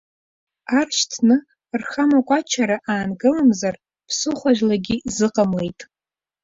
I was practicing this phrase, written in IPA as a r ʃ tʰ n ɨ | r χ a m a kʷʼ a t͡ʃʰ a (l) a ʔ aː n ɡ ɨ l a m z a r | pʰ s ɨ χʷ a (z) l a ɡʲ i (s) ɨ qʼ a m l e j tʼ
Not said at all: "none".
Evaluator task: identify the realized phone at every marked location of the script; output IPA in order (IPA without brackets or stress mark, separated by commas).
ɾ, ʒ, z